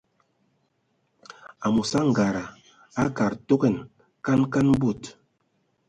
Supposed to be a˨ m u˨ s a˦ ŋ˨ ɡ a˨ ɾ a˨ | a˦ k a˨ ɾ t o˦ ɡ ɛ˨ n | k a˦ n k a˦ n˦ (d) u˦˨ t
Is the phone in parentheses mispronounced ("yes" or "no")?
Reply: yes